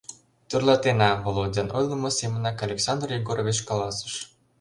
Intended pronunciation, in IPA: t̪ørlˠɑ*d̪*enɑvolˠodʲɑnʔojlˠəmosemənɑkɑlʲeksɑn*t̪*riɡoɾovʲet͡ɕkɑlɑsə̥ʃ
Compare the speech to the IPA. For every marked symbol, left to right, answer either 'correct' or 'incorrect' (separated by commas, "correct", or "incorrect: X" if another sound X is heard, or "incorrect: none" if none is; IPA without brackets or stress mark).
incorrect: t̪, incorrect: d̪